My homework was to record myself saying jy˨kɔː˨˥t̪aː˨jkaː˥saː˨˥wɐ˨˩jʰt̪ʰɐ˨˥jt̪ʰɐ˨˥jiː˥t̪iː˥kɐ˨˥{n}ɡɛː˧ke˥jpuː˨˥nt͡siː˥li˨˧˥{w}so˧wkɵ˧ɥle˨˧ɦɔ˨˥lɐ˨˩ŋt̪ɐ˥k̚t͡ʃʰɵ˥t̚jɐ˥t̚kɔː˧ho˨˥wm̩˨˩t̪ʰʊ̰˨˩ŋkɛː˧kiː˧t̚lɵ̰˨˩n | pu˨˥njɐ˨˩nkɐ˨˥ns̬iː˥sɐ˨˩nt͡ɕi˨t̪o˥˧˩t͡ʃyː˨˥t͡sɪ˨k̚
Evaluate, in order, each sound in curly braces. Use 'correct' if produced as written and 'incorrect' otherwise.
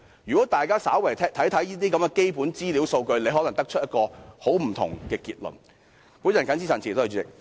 incorrect, correct

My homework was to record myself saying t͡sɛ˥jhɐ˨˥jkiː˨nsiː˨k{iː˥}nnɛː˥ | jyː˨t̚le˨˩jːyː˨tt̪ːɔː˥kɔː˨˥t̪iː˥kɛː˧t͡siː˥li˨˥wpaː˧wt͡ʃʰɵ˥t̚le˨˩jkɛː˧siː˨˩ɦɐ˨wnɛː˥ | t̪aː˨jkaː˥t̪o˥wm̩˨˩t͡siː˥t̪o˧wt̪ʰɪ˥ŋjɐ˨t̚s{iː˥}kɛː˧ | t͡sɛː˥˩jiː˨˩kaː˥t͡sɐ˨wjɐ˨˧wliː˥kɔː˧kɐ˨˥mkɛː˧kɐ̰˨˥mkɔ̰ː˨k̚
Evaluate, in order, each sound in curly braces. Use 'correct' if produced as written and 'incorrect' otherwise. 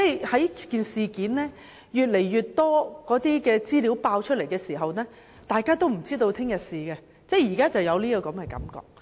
incorrect, incorrect

